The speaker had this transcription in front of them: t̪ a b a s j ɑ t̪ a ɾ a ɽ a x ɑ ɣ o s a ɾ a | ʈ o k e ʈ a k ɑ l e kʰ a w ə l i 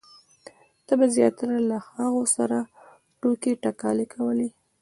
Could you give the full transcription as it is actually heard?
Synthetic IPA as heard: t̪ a b a z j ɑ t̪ a ɾ a l a x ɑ ɣ o s a ɾ a | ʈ o k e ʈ a k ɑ l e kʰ a w ə l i